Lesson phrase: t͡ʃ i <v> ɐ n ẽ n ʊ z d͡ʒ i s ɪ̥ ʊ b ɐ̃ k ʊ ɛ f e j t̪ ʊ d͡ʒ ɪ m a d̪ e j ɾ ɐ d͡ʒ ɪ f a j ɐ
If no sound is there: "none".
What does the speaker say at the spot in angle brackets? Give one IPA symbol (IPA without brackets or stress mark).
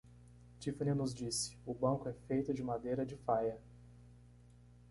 f